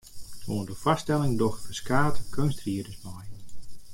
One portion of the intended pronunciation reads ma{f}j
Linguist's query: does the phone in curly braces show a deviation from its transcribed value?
yes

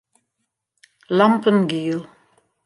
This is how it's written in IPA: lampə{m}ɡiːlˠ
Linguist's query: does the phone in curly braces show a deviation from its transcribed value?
yes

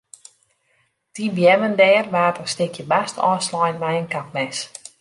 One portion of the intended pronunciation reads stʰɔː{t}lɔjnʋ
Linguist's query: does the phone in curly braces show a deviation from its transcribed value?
yes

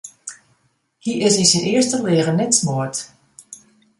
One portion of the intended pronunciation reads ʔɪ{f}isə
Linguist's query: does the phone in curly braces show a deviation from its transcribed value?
yes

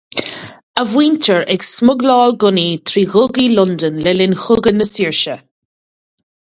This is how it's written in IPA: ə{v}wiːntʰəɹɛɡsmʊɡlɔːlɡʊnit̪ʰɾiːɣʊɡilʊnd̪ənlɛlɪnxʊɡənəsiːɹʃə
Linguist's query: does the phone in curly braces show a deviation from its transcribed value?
no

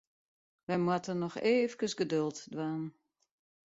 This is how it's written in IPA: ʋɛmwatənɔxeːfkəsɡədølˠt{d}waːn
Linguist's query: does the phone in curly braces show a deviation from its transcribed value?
no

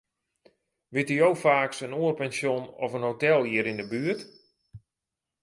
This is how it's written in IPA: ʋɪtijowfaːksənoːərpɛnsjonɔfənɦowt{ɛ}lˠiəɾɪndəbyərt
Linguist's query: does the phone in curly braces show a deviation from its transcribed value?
no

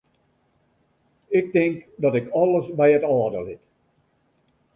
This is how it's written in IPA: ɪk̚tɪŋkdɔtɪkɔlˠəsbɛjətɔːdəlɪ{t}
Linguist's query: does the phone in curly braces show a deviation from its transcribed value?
no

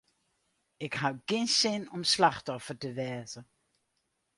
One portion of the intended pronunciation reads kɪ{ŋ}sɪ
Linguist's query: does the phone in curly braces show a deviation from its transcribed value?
yes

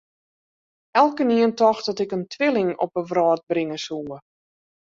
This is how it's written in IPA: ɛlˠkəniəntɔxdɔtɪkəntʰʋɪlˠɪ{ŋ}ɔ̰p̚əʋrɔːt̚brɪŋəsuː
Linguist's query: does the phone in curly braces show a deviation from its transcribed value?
no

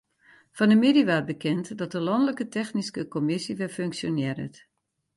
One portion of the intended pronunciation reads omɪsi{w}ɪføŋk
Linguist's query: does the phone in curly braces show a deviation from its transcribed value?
yes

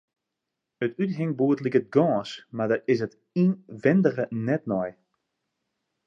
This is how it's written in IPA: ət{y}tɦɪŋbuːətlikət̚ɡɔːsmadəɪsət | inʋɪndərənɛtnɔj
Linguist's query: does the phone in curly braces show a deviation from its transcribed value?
no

